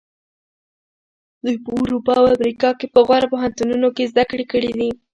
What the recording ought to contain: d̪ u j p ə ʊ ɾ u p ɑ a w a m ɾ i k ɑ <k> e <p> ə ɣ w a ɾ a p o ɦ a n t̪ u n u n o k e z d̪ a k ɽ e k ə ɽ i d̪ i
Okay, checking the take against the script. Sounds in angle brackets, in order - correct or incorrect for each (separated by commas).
correct, correct